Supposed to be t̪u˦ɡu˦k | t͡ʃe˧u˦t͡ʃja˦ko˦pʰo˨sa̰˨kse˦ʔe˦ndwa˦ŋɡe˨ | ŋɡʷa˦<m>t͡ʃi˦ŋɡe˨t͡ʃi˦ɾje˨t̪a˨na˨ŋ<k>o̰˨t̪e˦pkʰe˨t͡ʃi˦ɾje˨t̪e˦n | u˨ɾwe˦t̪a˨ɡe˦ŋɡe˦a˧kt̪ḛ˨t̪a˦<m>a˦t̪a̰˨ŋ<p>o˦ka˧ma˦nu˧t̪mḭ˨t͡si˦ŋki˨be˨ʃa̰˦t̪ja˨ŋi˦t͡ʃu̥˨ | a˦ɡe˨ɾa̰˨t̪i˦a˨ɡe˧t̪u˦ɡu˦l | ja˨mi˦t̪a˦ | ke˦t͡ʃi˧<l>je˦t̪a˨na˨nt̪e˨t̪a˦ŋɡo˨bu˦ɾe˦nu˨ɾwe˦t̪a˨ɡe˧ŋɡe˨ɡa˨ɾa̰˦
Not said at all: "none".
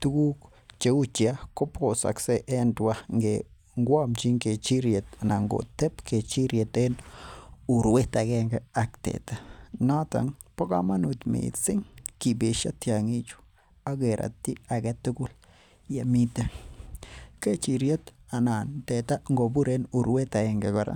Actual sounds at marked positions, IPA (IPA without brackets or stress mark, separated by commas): m, ɡ, n, p, ɾ